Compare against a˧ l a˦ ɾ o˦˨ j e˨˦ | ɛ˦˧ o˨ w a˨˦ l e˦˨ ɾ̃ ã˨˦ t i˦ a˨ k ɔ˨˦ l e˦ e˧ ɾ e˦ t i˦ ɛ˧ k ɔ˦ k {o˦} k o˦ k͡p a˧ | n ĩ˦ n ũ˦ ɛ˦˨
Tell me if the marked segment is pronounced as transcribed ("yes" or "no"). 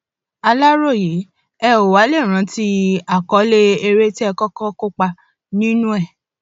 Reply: no